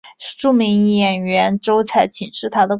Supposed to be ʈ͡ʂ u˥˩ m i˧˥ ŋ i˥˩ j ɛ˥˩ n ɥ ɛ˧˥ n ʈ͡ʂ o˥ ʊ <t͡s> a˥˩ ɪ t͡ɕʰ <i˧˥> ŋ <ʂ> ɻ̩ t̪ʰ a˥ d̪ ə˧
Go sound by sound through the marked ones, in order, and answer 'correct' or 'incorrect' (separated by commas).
incorrect, incorrect, correct